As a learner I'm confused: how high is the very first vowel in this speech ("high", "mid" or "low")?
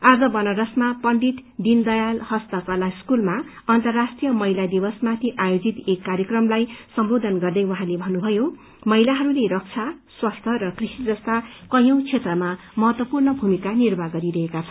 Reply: low